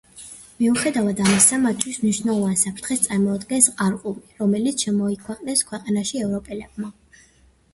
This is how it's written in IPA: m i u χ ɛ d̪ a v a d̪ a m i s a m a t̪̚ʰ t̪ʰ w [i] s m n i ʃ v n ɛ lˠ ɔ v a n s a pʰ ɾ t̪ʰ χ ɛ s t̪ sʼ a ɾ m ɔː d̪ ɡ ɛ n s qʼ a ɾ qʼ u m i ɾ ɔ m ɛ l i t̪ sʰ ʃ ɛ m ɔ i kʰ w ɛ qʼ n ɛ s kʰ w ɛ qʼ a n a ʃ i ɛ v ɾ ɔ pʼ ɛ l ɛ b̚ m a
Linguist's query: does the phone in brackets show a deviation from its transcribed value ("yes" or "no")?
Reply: no